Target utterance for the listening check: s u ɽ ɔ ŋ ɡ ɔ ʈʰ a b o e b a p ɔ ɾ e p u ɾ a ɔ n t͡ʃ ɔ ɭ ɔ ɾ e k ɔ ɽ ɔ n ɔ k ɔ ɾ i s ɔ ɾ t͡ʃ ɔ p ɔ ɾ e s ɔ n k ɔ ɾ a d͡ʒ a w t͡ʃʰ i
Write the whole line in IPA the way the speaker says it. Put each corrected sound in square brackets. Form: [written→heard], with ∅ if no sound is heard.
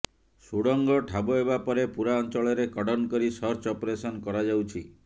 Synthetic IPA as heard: s u ɽ ɔ ŋ ɡ ɔ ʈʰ a b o e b a p ɔ ɾ e p u ɾ a ɔ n t͡ʃ ɔ ɭ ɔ ɾ e k ɔ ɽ ɔ n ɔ k ɔ ɾ i s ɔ ɾ t͡ʃ ɔ p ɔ ɾ e s ɔ n k ɔ ɾ a d͡ʒ a w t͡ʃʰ i